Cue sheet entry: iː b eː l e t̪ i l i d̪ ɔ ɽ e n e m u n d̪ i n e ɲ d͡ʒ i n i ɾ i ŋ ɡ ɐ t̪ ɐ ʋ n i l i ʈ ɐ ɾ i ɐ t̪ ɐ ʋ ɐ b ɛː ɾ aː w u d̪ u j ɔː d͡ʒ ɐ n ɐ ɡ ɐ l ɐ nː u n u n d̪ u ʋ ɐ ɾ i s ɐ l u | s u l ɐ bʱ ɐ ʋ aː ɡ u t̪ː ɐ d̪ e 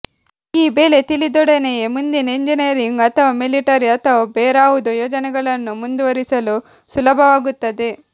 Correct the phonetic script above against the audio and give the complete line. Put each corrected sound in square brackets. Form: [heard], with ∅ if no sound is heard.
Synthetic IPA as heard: iː b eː l e t̪ i l i d̪ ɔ ɽ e n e m u n d̪ i n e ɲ d͡ʒ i n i ɾ i ŋ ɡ ɐ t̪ ɐ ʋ [m] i l i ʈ ɐ ɾ i ɐ t̪ ɐ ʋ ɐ b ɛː ɾ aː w u d̪ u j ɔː d͡ʒ ɐ n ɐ ɡ ɐ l ɐ nː u [m] u n d̪ u ʋ ɐ ɾ i s ɐ l u | s u l ɐ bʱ ɐ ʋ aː ɡ u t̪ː ɐ d̪ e

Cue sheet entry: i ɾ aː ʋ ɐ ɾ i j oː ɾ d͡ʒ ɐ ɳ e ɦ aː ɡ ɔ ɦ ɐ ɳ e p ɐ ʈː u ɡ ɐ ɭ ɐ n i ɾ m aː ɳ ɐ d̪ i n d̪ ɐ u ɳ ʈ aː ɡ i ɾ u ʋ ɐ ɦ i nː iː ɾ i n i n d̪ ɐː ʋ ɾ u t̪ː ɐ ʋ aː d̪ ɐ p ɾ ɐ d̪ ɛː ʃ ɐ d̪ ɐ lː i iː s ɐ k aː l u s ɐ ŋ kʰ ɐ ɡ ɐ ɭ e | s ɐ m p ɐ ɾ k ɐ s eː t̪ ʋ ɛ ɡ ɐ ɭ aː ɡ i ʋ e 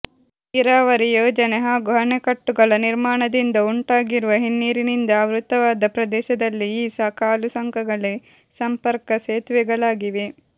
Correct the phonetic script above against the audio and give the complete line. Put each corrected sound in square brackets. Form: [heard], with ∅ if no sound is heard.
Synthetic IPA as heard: i ɾ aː ʋ ɐ ɾ i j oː [∅] d͡ʒ ɐ [n] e ɦ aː ɡ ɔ ɦ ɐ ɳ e [k] ɐ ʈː u ɡ ɐ ɭ ɐ n i ɾ m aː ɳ ɐ d̪ i n d̪ ɐ u ɳ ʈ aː ɡ i ɾ u ʋ ɐ ɦ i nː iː ɾ i n i n d̪ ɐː ʋ ɾ u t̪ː ɐ ʋ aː d̪ ɐ p ɾ ɐ d̪ ɛː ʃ ɐ d̪ ɐ lː i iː s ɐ k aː l u s ɐ ŋ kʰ ɐ ɡ ɐ ɭ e | s ɐ m p ɐ ɾ k ɐ s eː t̪ ʋ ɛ ɡ ɐ ɭ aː ɡ i ʋ e

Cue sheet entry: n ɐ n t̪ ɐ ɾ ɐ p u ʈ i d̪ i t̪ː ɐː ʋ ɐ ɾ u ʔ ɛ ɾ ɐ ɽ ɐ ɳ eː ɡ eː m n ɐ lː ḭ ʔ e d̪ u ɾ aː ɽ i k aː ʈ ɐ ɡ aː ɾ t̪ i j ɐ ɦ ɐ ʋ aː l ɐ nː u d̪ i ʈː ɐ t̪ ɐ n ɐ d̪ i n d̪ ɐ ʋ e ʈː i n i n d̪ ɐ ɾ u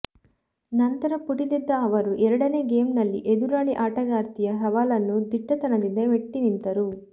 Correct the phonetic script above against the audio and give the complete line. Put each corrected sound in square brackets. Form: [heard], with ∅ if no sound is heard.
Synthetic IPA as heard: n ɐ n t̪ ɐ ɾ ɐ p u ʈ i d̪ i [d̪ː] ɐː ʋ ɐ ɾ u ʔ ɛ ɾ ɐ ɽ ɐ [n] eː ɡ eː m n ɐ lː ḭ ʔ e d̪ u ɾ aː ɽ i [ʔ] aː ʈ ɐ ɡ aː ɾ t̪ i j ɐ ɦ ɐ ʋ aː l ɐ nː u d̪ i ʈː ɐ t̪ ɐ n ɐ d̪ i n d̪ ɐ ʋ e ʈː i n i n [t̪] ɐ ɾ u

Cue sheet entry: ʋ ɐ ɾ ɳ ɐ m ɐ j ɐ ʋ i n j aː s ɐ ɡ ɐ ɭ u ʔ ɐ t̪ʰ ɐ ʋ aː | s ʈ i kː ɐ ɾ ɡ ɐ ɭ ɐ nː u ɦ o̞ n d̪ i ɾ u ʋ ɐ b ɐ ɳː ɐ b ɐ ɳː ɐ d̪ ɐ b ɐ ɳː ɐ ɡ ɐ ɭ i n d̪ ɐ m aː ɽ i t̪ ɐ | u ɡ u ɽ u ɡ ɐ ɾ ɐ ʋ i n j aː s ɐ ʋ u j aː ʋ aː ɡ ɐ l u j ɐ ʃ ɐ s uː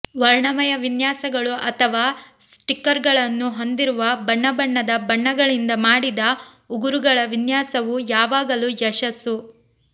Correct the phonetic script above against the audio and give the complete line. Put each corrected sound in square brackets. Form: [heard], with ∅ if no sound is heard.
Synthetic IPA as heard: ʋ ɐ ɾ ɳ ɐ m ɐ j ɐ ʋ i n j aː s ɐ ɡ ɐ ɭ u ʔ ɐ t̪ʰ ɐ ʋ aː | s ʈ i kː ɐ ɾ ɡ ɐ ɭ ɐ nː u ɦ o̞ n d̪ i ɾ u ʋ ɐ b ɐ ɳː ɐ b ɐ ɳː ɐ d̪ ɐ b ɐ ɳː ɐ ɡ ɐ ɭ i n d̪ ɐ m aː ɽ i [d̪] ɐ | u ɡ u [ɾ] u ɡ ɐ [ɭ] ɐ ʋ i n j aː s ɐ ʋ u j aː ʋ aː ɡ ɐ l u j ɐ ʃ ɐ s [u]

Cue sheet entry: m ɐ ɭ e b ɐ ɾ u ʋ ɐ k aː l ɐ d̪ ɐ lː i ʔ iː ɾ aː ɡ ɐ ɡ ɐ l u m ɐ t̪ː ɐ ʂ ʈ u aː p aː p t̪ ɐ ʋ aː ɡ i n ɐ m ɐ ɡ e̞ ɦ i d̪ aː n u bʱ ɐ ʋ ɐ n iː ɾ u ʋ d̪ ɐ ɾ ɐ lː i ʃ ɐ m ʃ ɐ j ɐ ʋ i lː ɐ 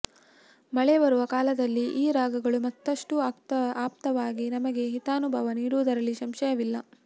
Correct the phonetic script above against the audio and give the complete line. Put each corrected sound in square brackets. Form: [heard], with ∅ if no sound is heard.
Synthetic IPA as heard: m ɐ ɭ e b ɐ ɾ u ʋ ɐ k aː l ɐ d̪ ɐ lː i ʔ iː ɾ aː ɡ ɐ ɡ ɐ [ɭ] u m ɐ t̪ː ɐ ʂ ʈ u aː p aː p t̪ ɐ ʋ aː ɡ i n ɐ m ɐ ɡ e̞ ɦ i [t̪] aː n u bʱ ɐ ʋ ɐ n iː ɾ u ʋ d̪ ɐ ɾ ɐ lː i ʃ ɐ m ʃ ɐ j ɐ ʋ i lː ɐ

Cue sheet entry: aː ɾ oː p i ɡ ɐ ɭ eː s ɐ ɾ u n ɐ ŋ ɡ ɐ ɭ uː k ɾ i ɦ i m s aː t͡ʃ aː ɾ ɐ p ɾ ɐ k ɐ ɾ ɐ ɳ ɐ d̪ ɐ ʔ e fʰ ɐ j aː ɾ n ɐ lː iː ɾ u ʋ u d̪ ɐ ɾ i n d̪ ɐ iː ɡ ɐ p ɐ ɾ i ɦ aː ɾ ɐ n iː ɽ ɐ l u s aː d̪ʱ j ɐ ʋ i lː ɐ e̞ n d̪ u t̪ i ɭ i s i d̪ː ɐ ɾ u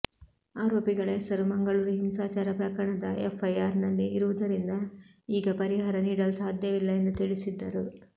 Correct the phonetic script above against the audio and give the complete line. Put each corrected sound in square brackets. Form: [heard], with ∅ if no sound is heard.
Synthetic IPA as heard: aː ɾ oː p i ɡ ɐ ɭ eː s ɐ ɾ u [m] ɐ ŋ ɡ ɐ ɭ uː [∅] ɾ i ɦ i m s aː t͡ʃ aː ɾ ɐ p ɾ ɐ k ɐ ɾ ɐ ɳ ɐ d̪ ɐ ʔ e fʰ ɐ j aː ɾ n ɐ lː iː ɾ u ʋ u d̪ ɐ ɾ i n d̪ ɐ iː ɡ ɐ p ɐ ɾ i ɦ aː ɾ ɐ n iː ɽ ɐ l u s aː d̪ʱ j ɐ ʋ i lː ɐ e̞ n d̪ u t̪ i ɭ i s i d̪ː ɐ ɾ u

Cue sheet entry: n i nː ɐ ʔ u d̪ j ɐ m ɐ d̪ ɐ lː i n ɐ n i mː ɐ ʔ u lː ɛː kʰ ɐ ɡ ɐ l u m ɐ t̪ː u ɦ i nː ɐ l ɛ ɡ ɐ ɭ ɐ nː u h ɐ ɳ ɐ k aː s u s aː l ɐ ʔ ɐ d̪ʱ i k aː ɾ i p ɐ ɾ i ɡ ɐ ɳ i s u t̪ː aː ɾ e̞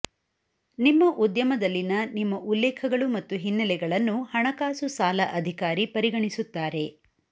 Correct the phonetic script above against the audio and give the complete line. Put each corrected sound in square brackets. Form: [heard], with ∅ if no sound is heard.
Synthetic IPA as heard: n i [mː] ɐ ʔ u d̪ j ɐ m ɐ d̪ ɐ lː i n ɐ n i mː ɐ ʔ u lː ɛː kʰ ɐ ɡ ɐ [ɭ] u m ɐ t̪ː u ɦ i nː ɐ l ɛ ɡ ɐ ɭ ɐ nː u h ɐ ɳ ɐ k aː s u s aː l ɐ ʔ ɐ d̪ʱ i k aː ɾ i p ɐ ɾ i ɡ ɐ ɳ i s u t̪ː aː ɾ e̞

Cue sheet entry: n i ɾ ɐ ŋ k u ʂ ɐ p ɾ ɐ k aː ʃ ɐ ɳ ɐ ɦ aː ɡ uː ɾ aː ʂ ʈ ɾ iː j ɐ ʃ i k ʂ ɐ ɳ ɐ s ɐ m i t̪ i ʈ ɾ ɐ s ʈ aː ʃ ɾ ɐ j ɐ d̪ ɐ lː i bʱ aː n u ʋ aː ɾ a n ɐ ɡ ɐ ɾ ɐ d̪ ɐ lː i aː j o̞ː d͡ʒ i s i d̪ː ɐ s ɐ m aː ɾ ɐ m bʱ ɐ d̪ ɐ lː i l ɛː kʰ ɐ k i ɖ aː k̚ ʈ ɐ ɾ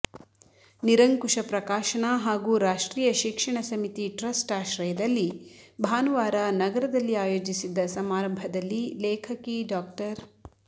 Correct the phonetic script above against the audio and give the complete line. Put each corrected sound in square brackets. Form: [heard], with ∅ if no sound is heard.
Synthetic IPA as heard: n i ɾ ɐ ŋ k u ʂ ɐ p ɾ ɐ k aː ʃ ɐ ɳ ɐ ɦ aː ɡ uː ɾ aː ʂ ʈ ɾ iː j ɐ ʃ i k ʂ ɐ ɳ ɐ s ɐ m i t̪ i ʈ ɾ ɐ s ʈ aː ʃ ɾ ɐ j ɐ d̪ ɐ lː i bʱ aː n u ʋ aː ɾ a n ɐ ɡ ɐ ɾ ɐ d̪ ɐ lː i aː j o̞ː d͡ʒ i s i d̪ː ɐ s ɐ m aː ɾ ɐ m bʱ ɐ d̪ ɐ lː i l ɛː kʰ ɐ k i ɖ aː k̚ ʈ ɐ ɾ

